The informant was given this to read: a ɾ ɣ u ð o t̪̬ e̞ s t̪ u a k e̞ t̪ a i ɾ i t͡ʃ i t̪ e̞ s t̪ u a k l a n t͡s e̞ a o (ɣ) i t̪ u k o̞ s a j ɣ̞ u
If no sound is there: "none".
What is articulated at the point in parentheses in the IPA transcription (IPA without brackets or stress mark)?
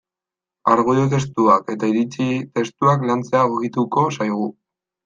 ɣ